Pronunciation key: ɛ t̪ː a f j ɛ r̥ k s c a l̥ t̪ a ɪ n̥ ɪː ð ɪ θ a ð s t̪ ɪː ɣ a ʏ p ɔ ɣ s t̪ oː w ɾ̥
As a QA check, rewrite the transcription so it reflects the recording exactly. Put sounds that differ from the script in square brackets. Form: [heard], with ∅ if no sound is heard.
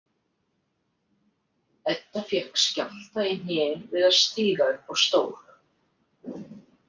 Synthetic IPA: ɛ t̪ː a f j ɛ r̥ k s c a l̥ t̪ a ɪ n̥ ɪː [v] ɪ [ð] a ð s t̪ [iː] ɣ a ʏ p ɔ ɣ s t̪ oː w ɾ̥